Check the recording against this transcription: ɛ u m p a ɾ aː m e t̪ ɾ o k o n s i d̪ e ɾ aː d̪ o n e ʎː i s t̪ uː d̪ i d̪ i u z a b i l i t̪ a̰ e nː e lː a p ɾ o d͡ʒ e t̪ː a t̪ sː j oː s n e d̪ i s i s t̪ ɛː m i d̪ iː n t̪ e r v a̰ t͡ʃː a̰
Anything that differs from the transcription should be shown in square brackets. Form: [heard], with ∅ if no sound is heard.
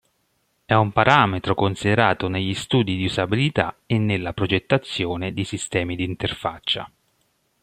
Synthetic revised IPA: ɛ u m p a ɾ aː m e t̪ ɾ o k o n s i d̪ e ɾ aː [t̪] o n e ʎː i s t̪ uː d̪ i d̪ i u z a b i l i t̪ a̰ e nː e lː a p ɾ o d͡ʒ e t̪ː a t̪ sː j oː [∅] n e d̪ i s i s t̪ ɛː m i d̪ iː n t̪ e r [f] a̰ t͡ʃː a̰